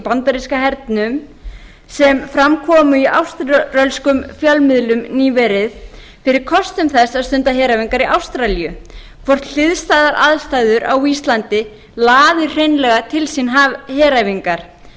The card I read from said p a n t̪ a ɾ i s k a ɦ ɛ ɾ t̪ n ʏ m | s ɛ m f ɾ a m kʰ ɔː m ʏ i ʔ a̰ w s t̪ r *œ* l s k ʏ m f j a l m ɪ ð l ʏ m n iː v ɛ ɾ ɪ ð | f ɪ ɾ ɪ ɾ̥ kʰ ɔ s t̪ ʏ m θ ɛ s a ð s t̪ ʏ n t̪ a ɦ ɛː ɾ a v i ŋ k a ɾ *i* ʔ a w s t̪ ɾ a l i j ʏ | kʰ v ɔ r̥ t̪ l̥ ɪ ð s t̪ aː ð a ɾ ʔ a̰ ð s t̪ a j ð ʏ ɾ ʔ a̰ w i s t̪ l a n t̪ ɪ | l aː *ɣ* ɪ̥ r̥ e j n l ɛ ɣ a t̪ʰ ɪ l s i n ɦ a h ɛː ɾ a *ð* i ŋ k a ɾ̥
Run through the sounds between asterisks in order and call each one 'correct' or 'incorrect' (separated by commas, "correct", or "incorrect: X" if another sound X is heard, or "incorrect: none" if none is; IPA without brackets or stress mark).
correct, correct, incorrect: ð, incorrect: v